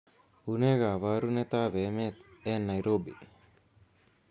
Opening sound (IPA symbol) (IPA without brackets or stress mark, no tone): u